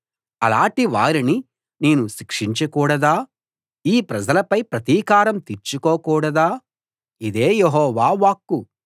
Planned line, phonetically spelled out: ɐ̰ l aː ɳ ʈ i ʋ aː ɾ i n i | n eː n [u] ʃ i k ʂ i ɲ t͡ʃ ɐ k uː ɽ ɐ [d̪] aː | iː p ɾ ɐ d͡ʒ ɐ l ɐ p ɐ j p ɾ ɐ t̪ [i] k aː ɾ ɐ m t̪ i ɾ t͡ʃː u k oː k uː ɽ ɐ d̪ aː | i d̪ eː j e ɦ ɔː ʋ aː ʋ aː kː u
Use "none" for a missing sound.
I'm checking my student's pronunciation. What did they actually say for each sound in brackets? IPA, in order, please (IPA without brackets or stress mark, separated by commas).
u, d̪, iː